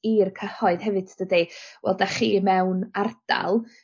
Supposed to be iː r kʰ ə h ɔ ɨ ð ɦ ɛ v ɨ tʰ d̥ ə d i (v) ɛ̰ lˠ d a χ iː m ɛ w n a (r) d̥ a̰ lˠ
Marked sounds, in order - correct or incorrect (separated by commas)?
incorrect, correct